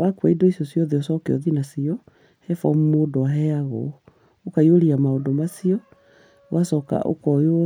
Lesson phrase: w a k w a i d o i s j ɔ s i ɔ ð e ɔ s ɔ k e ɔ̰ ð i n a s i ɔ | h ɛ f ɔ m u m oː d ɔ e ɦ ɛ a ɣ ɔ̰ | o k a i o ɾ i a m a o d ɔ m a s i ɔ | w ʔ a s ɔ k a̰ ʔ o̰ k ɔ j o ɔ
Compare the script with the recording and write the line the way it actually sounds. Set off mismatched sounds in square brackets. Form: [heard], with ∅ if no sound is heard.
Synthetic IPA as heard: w a k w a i d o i s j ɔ s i ɔ ð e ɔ s ɔ k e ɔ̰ ð i n a s i ɔ | h ɛ f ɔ m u m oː d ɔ [a] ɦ ɛ a ɣ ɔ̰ | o k a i o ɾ i a m a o d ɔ m a s i ɔ | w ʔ a s ɔ k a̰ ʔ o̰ k ɔ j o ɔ